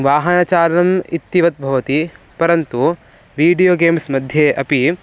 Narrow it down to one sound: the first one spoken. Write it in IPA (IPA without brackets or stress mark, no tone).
ʋ